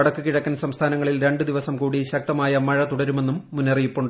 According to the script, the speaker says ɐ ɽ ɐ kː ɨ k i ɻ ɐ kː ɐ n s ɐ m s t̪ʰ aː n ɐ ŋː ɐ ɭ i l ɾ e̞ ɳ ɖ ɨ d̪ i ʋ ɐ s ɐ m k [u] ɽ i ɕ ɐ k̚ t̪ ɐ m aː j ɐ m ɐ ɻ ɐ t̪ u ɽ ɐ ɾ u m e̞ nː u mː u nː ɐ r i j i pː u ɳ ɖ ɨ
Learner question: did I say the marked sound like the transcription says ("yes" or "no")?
no